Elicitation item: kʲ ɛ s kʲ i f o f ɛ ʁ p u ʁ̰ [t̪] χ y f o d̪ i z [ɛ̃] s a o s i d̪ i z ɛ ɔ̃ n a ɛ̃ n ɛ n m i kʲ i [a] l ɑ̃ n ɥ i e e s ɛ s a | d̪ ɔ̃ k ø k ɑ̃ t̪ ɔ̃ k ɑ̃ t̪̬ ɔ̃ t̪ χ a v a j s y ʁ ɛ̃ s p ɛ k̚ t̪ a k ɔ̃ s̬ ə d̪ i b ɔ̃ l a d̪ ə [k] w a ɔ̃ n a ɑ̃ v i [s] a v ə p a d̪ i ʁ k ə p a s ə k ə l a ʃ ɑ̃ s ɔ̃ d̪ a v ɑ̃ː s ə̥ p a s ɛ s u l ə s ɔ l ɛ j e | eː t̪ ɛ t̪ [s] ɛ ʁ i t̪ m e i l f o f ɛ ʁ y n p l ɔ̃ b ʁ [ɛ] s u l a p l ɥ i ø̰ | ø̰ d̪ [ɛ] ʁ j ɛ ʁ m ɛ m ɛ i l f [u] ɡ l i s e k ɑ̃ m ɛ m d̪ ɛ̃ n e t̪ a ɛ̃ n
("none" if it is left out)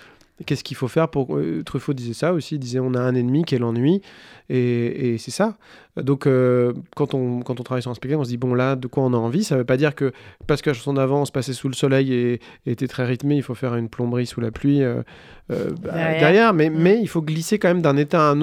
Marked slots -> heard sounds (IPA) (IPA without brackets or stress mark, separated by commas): t̪, ɛ, ɛ, k, s, χ, i, ɛ, o